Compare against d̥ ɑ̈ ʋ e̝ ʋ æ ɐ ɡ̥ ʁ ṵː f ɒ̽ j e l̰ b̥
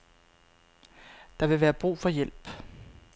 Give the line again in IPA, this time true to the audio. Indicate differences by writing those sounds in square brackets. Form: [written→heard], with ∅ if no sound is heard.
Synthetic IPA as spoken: d̥ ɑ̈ ʋ e̝ ʋ [æ→æː] ɐ [ɡ̥→b̥] ʁ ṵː f ɒ̽ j e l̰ b̥